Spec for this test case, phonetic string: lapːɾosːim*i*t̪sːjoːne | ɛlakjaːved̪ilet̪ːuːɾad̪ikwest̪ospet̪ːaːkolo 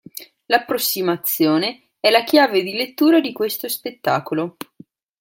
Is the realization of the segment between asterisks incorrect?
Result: yes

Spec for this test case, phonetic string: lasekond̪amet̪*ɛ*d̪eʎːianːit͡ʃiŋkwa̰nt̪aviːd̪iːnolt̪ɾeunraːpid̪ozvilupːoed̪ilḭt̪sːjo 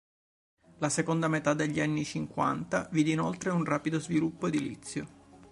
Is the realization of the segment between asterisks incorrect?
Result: yes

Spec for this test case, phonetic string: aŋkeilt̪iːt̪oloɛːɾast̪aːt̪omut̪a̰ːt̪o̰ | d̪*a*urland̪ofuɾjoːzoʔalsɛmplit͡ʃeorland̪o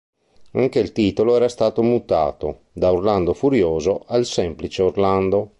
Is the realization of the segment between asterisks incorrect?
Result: no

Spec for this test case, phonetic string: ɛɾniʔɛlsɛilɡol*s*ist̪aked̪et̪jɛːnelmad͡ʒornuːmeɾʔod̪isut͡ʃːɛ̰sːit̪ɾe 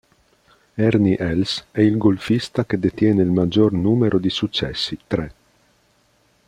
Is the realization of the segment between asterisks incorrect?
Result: yes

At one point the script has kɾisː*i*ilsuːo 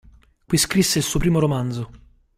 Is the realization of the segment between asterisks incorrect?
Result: yes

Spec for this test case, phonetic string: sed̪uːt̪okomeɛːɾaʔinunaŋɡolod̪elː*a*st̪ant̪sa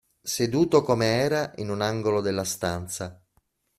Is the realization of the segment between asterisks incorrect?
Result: no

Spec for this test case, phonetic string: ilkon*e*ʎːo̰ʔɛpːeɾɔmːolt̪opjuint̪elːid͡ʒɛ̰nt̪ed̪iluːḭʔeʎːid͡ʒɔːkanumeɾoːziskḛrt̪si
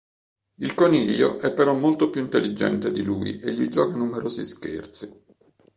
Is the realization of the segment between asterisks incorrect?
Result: yes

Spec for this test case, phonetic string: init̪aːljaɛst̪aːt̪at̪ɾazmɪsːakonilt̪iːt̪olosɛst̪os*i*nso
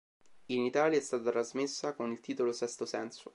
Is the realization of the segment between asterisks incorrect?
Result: yes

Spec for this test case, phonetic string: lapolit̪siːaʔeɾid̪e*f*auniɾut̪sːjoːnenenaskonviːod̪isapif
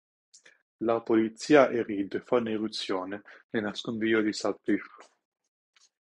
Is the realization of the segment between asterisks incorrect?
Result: no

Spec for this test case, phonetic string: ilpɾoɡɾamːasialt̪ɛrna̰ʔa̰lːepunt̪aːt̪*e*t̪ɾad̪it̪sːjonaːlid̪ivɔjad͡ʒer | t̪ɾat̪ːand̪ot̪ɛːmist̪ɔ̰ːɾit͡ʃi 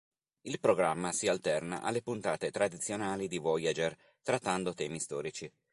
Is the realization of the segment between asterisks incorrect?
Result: no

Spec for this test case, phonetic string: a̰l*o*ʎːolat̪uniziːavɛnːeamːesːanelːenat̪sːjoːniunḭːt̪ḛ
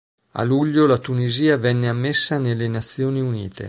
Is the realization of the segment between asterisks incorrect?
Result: yes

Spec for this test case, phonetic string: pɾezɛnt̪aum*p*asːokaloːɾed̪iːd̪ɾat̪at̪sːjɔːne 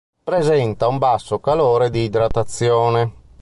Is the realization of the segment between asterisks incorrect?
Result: yes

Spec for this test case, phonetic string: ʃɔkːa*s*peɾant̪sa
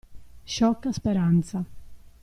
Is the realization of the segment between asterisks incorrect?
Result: no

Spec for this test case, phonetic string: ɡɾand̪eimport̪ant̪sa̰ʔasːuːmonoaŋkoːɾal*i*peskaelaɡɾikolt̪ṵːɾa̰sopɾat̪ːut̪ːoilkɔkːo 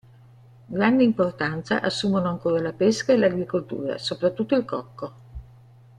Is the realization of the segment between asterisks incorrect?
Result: yes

